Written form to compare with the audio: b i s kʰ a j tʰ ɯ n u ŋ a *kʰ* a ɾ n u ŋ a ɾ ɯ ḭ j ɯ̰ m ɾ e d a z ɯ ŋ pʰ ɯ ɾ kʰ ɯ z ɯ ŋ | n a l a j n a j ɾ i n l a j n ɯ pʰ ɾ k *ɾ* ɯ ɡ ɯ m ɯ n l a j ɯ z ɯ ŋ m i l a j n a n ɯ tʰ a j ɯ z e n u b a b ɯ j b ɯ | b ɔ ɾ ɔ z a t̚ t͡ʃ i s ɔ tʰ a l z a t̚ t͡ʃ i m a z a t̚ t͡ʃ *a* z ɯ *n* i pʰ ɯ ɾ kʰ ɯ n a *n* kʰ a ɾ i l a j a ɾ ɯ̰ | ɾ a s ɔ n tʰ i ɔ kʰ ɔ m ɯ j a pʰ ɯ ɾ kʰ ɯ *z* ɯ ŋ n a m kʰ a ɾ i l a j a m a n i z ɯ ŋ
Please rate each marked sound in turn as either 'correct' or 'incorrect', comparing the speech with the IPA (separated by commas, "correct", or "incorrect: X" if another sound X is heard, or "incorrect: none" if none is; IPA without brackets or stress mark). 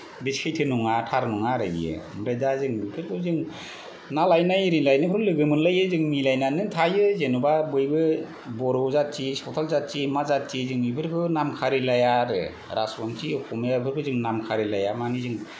incorrect: tʰ, incorrect: l, incorrect: i, incorrect: ŋ, incorrect: m, correct